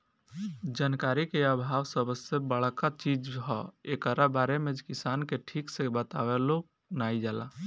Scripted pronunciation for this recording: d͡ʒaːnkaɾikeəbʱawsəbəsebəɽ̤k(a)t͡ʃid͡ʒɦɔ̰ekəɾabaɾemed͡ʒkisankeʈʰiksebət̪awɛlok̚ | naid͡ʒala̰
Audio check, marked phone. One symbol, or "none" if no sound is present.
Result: a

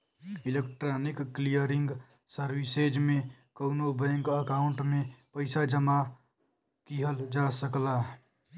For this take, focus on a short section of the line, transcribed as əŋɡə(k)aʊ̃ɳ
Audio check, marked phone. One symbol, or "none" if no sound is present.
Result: k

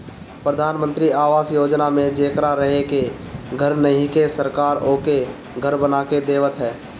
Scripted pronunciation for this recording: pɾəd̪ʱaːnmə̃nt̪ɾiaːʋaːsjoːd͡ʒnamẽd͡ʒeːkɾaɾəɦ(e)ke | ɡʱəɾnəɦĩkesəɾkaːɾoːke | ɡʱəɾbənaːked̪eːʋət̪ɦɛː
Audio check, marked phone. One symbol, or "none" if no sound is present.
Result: e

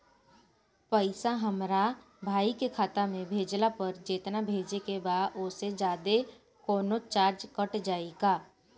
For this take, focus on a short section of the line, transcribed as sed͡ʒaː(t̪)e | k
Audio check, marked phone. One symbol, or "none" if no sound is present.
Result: d̪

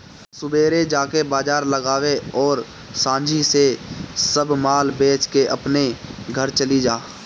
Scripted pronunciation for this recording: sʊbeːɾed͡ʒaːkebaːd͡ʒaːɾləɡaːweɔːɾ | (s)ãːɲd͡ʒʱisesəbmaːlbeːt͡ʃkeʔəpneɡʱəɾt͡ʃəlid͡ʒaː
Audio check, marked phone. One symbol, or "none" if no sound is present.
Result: s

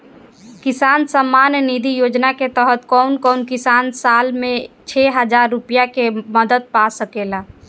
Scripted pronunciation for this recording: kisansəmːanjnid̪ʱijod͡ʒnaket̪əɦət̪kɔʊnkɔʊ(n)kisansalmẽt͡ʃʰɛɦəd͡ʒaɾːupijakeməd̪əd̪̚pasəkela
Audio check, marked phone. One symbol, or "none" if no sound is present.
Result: n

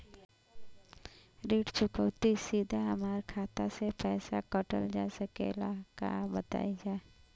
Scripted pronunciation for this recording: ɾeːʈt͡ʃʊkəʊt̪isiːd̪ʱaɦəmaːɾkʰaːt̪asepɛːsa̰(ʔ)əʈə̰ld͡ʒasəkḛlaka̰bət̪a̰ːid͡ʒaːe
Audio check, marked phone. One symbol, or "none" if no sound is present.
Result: k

